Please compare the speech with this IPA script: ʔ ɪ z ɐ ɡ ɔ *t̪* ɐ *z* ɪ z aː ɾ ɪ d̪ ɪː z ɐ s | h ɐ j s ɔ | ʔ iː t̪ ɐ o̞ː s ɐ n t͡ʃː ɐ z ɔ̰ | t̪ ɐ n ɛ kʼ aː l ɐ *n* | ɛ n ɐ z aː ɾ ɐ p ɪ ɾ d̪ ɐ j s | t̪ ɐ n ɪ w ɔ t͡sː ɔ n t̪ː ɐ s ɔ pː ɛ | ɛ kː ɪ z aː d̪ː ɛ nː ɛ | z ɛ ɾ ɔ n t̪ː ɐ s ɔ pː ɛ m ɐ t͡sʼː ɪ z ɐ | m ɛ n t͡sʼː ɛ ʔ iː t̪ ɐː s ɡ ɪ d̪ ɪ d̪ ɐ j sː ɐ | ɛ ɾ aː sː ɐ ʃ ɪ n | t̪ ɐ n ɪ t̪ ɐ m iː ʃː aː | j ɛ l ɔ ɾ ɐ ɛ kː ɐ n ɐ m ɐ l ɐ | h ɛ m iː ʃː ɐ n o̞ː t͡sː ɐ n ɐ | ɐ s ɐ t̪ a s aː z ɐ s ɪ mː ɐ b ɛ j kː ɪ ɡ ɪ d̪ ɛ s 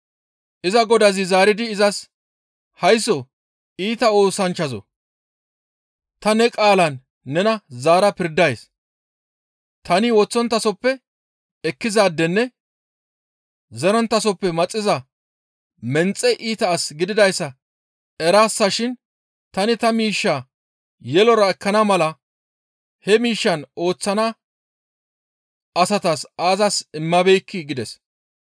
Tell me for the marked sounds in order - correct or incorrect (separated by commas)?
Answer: incorrect, correct, incorrect